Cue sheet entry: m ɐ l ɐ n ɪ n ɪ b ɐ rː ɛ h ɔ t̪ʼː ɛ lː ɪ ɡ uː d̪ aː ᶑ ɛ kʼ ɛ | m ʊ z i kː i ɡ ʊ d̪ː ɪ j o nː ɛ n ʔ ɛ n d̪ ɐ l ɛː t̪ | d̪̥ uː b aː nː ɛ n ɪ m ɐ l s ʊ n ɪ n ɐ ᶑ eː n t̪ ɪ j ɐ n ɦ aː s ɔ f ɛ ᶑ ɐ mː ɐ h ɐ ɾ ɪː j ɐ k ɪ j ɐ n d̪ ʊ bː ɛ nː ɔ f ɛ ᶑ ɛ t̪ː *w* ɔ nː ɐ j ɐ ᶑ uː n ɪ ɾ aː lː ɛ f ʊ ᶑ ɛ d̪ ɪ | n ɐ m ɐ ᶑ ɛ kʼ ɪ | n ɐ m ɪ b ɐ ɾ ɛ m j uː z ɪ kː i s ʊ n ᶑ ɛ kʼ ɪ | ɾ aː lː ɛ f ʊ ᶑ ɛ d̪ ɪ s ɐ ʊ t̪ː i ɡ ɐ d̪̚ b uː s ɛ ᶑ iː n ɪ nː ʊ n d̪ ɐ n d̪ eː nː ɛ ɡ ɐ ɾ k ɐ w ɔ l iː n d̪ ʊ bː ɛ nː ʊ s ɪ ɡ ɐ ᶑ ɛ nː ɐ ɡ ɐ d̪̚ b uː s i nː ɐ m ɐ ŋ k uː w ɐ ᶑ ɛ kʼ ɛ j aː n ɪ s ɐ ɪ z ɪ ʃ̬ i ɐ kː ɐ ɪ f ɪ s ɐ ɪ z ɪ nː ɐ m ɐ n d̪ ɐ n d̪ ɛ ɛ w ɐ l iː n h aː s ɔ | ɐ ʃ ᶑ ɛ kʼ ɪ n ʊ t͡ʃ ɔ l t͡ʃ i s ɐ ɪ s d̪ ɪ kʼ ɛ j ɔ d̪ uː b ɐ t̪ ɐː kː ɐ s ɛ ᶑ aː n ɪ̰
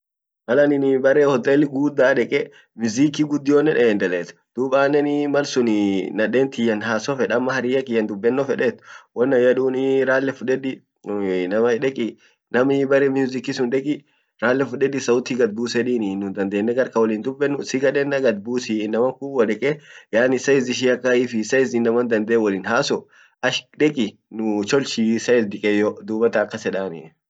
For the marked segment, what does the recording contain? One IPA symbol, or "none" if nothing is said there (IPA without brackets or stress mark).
w